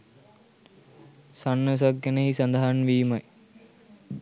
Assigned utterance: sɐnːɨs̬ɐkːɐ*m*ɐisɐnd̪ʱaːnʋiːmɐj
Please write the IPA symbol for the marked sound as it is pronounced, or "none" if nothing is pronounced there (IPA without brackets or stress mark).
n